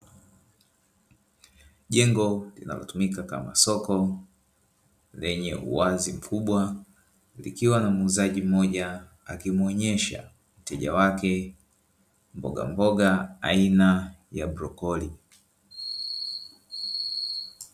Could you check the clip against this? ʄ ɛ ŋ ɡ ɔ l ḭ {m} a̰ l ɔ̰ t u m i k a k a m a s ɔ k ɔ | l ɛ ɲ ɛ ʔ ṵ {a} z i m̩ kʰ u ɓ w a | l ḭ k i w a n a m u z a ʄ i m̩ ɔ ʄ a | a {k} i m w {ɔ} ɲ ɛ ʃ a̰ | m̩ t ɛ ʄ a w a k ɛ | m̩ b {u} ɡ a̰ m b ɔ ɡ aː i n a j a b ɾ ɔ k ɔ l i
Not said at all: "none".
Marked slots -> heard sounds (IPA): n, a, k, ɔ, ɔ

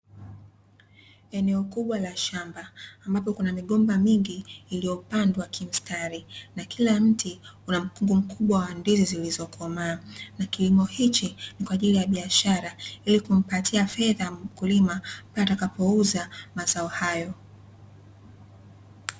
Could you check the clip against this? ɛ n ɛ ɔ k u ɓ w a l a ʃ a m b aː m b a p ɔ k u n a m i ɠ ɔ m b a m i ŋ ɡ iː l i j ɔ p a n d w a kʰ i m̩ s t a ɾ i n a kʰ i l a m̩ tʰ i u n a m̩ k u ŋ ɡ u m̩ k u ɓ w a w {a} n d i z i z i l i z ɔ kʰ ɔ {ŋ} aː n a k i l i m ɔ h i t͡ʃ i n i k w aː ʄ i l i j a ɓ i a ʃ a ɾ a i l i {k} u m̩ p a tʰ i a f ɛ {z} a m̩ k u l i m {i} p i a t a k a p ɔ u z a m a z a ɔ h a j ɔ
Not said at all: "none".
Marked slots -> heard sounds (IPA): a, m, k, ð, a

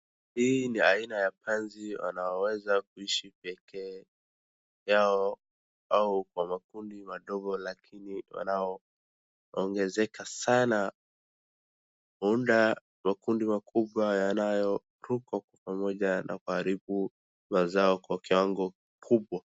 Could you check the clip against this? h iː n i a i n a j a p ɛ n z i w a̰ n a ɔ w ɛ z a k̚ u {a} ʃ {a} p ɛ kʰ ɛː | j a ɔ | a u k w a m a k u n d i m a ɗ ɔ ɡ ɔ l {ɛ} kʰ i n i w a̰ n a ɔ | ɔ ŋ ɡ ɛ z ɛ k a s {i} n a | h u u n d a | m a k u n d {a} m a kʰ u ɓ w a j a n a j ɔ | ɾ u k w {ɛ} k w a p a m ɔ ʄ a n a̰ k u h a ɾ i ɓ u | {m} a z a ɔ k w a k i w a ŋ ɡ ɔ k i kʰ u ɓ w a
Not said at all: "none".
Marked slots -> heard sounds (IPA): i, i, a, a, i, a, m

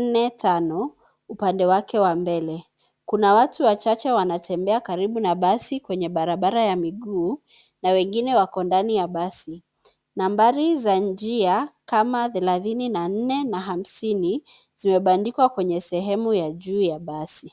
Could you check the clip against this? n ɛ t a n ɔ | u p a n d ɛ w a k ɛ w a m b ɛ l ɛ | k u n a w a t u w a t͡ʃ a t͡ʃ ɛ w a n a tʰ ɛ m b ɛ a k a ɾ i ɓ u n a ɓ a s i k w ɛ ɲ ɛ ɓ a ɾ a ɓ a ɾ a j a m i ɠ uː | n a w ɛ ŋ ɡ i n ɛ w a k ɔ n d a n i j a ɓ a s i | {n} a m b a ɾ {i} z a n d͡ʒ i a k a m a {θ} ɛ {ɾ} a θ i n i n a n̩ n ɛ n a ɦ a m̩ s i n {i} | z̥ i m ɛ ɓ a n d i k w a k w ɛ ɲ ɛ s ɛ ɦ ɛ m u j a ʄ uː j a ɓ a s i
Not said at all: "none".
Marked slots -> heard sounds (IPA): n, i, θ, l, i

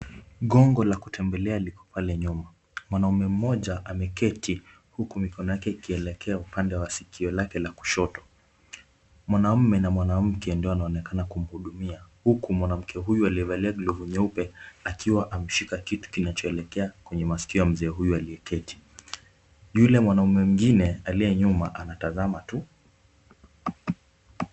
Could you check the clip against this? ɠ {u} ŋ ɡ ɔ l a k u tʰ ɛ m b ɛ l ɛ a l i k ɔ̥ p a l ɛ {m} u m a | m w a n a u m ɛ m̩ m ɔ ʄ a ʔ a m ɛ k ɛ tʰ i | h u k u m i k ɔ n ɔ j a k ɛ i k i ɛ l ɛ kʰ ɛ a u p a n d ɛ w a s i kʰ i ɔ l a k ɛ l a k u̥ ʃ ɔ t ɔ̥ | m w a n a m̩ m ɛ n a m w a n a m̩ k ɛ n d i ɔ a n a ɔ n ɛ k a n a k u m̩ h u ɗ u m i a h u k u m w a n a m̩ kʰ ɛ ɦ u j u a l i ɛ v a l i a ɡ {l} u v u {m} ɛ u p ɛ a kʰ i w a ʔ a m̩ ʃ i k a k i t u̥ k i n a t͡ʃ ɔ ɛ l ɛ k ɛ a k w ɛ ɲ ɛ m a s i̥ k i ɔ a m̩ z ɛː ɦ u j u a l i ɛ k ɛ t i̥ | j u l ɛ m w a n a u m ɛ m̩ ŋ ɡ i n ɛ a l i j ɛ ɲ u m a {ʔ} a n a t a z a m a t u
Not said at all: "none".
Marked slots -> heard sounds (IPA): ɔ, ɲ, l, ɲ, ʔ

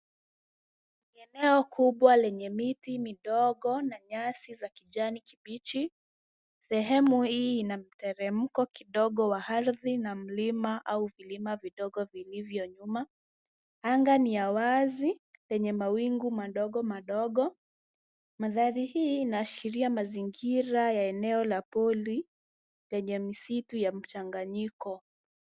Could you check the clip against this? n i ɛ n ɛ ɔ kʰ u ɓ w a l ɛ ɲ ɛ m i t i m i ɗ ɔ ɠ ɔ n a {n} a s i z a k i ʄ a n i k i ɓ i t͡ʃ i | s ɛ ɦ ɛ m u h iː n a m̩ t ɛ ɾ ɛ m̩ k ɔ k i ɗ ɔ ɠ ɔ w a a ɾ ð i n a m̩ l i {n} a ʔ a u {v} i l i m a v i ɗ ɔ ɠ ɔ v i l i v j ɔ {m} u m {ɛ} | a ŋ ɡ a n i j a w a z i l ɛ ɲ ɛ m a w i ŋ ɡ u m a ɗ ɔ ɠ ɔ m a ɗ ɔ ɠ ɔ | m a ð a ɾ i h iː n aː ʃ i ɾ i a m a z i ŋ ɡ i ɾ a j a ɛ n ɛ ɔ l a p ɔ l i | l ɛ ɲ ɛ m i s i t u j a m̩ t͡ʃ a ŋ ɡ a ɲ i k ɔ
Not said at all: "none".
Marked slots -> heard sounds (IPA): ɲ, m, v, ɲ, a

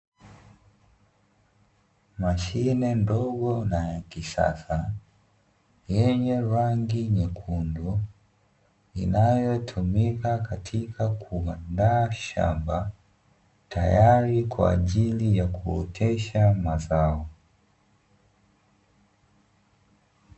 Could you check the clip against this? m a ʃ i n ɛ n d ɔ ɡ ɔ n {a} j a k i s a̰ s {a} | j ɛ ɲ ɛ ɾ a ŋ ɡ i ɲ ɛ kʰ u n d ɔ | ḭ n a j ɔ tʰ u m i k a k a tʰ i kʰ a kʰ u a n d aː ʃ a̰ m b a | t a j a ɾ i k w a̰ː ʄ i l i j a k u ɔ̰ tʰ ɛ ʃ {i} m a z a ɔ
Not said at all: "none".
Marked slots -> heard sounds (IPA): a, a, a

